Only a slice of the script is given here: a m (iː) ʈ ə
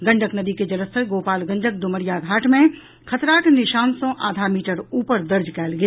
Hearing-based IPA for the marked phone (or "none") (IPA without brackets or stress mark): iː